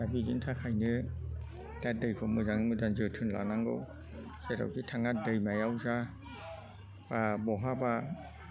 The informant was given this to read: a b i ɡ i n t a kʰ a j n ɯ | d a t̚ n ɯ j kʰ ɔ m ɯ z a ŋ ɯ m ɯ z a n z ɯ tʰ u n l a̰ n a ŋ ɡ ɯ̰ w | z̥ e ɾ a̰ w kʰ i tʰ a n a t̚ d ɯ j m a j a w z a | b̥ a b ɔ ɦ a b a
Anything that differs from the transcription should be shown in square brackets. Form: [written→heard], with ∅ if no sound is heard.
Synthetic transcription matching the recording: a b i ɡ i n [t→tʰ] a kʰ a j n ɯ | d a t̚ [n→d] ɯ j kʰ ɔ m ɯ z a ŋ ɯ m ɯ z a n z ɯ tʰ [u→ɯ] n l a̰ n a ŋ ɡ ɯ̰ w | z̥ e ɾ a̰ w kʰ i tʰ a [n→ŋ] a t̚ d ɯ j m a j a w z a | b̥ a b ɔ ɦ a b a